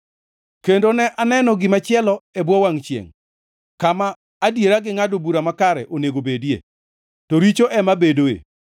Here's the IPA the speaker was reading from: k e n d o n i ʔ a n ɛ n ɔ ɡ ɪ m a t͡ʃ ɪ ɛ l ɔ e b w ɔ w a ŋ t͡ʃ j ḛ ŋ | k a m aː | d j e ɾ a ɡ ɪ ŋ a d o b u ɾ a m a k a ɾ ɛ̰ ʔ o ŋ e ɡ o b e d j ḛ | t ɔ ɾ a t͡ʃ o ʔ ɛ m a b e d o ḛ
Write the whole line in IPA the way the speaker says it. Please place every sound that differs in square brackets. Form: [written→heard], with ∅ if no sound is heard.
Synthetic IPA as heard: k e n d o n [i→ɛ] ʔ a n ɛ n ɔ ɡ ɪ m a t͡ʃ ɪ ɛ l ɔ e b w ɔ w a ŋ t͡ʃ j ḛ ŋ | k a m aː | d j e ɾ a ɡ ɪ ŋ a d o b u ɾ a m a k a ɾ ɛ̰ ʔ o [ŋ→n] e ɡ o b e d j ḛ | t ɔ ɾ [a→i] t͡ʃ o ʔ ɛ m a b e d o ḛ